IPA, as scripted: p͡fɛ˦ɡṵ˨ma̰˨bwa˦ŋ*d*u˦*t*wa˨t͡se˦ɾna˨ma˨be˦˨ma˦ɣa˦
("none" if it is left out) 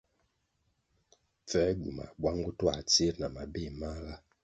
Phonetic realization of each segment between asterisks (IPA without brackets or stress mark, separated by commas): ɡ, t